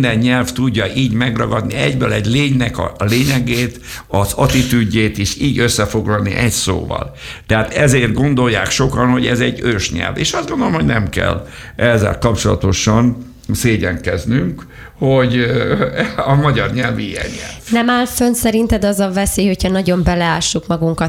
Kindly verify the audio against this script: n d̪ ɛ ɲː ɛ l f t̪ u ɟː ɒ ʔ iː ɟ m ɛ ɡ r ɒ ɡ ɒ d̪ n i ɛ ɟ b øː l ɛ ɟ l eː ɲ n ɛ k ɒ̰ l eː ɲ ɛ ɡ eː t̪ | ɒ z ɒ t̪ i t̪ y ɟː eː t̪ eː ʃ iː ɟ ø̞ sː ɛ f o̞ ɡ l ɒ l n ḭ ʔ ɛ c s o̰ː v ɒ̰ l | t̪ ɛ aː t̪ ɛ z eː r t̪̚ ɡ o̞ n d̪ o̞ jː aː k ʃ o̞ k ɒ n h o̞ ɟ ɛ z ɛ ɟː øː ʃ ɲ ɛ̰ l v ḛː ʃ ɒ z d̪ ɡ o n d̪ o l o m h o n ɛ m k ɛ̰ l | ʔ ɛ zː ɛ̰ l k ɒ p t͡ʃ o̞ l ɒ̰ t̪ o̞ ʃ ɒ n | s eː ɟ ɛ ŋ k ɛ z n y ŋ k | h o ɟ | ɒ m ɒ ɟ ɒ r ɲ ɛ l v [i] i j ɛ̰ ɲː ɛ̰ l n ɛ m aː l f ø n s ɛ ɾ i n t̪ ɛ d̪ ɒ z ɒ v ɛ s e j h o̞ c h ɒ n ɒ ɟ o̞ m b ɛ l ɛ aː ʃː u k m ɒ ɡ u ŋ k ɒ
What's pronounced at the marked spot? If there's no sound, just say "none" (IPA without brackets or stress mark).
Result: i